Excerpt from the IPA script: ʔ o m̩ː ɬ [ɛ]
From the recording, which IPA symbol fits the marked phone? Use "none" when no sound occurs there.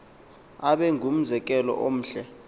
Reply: ɛ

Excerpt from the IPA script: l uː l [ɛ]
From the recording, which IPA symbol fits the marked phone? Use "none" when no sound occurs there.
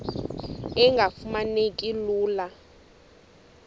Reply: a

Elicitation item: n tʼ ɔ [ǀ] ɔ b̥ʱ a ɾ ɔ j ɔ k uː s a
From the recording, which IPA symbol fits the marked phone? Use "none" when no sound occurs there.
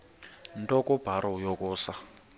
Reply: k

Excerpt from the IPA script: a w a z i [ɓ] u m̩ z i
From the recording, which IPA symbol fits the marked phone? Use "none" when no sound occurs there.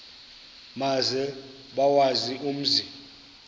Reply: none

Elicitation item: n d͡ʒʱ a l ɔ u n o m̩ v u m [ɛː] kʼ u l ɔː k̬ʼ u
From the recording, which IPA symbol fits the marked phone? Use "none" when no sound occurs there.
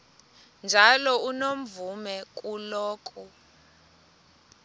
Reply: ɛ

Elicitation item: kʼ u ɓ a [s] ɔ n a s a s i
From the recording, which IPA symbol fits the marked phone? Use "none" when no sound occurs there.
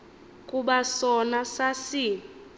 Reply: s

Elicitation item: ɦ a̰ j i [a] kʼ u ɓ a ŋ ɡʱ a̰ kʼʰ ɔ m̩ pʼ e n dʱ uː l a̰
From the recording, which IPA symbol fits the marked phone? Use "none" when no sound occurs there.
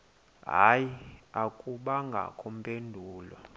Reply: a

